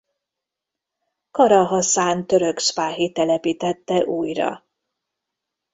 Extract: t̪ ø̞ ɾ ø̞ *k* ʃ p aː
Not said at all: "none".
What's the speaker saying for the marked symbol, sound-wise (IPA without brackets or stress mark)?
k